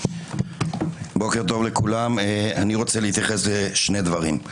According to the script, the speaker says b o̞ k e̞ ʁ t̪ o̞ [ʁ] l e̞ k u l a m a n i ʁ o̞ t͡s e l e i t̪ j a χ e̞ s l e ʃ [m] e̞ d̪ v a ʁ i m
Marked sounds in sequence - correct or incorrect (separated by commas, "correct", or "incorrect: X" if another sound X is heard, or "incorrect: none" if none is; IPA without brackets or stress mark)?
incorrect: v, incorrect: n